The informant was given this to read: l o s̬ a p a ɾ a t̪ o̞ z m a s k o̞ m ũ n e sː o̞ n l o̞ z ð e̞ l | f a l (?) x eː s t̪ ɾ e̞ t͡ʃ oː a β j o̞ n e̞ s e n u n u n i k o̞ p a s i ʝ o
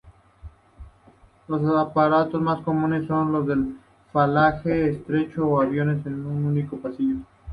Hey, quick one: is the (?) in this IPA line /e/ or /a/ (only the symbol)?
a